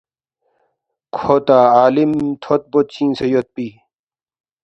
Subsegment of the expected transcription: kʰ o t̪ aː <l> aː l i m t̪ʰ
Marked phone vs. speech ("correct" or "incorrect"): incorrect